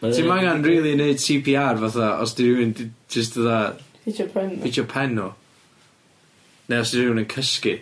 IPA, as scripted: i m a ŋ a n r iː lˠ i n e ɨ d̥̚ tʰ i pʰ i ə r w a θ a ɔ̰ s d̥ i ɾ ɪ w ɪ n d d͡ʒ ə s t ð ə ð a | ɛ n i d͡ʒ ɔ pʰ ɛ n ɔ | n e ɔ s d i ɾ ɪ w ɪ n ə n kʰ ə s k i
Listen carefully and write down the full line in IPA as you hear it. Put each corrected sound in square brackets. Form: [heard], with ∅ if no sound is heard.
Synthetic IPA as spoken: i m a ŋ a n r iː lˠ i n e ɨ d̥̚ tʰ i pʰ i [a] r [v] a θ a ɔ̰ s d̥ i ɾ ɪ w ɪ n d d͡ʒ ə s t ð ə ð a | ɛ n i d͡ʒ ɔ pʰ ɛ n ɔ | n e ɔ s d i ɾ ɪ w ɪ n ə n kʰ ə s k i